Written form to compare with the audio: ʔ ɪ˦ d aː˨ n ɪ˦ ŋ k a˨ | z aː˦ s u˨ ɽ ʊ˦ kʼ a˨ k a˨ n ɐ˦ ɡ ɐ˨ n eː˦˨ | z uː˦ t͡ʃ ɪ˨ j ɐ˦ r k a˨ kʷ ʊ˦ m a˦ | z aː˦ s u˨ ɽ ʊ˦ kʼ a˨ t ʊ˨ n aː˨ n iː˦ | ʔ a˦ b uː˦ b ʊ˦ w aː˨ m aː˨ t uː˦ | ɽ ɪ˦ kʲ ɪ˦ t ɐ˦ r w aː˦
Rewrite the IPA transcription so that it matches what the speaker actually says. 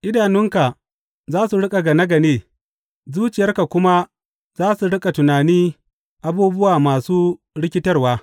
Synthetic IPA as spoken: ʔ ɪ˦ d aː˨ n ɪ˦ ŋ k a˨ | z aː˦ s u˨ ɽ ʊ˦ kʼ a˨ ɡ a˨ n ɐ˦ ɡ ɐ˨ n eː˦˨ | z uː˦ t͡ʃ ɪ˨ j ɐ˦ r k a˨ kʷ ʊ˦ m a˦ | z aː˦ s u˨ ɽ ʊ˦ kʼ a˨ t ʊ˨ n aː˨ n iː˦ | ʔ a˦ b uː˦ b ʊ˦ w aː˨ m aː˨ s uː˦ | ɽ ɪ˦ kʲ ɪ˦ t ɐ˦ r w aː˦